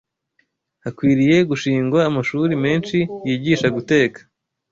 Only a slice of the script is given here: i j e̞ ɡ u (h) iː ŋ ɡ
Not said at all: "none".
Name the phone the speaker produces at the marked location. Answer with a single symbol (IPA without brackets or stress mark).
ʃ